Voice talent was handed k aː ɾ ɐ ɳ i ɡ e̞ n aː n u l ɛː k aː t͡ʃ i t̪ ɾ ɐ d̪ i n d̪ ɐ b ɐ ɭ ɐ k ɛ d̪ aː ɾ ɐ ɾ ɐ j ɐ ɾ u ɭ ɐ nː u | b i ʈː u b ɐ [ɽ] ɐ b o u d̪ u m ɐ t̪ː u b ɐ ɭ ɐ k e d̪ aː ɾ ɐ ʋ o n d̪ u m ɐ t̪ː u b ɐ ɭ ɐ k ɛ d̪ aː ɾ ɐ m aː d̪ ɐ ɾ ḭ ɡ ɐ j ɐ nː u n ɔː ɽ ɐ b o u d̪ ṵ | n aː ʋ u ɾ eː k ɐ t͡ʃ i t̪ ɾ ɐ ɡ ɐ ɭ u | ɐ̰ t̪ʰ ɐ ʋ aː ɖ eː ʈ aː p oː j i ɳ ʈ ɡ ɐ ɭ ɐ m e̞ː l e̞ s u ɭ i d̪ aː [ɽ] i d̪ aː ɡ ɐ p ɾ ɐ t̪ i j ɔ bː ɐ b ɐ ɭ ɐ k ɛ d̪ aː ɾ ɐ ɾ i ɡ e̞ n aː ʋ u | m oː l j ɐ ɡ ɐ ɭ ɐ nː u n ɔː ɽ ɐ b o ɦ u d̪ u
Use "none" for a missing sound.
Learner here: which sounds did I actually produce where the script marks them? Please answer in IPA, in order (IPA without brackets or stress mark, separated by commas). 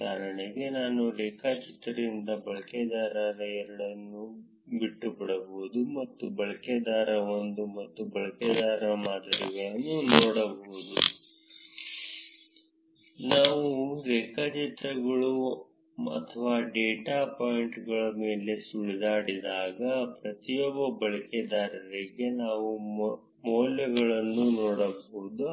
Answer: ɽ, ɽ